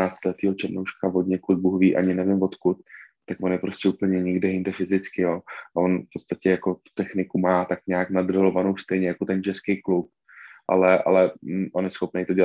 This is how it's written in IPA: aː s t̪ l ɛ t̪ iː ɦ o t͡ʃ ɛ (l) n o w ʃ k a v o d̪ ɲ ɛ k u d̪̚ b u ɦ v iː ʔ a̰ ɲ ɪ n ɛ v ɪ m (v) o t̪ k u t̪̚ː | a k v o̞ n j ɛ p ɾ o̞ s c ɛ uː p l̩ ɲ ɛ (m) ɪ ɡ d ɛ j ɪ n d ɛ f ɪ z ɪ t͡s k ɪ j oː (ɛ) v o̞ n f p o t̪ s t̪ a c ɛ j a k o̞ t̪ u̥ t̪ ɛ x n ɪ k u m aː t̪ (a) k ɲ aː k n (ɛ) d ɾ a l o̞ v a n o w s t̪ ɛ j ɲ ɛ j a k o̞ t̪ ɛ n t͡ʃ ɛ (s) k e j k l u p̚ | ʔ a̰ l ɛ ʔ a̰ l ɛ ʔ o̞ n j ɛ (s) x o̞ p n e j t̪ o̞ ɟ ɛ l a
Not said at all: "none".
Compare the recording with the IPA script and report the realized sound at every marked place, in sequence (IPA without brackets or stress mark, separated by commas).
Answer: ɾ, v, ɲ, a, a, a, s, s